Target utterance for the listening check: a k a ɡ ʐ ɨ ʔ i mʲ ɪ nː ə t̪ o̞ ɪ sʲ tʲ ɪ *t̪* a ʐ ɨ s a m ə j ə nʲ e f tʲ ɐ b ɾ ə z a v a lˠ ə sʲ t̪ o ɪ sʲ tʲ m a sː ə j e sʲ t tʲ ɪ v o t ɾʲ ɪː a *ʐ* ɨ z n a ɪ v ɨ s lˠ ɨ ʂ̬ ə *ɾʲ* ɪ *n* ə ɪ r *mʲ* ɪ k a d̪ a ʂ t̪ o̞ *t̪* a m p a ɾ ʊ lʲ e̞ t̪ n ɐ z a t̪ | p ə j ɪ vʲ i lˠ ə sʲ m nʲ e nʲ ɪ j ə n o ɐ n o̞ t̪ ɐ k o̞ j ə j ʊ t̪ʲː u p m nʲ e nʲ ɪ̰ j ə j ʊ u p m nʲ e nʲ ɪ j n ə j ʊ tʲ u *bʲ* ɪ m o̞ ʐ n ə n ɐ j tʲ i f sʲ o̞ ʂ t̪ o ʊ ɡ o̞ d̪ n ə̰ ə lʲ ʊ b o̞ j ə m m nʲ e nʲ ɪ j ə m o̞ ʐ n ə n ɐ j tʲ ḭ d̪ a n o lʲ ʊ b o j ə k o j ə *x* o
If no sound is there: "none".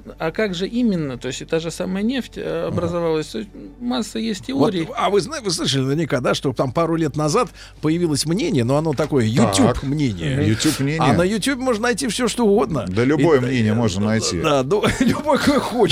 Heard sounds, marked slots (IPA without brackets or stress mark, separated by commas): t̪, v, lʲ, n, nʲ, t̪, bʲ, x